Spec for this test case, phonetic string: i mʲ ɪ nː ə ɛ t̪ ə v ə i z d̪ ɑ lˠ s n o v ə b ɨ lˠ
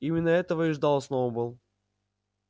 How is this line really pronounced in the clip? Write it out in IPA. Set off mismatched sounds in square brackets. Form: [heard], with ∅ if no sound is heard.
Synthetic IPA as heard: i mʲ ɪ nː ə ɛ t̪ ə v ə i [ʐ] d̪ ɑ lˠ s n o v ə b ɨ lˠ